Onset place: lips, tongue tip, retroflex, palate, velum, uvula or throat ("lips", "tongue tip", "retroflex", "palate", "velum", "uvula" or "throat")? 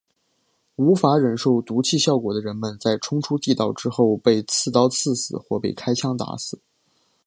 lips